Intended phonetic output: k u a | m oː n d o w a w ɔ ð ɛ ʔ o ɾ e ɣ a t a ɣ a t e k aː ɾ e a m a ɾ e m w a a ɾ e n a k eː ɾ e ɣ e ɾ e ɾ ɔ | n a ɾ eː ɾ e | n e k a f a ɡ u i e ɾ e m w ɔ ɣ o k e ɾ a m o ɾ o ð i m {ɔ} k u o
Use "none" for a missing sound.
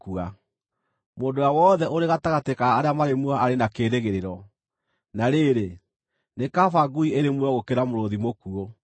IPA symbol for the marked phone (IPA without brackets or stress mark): o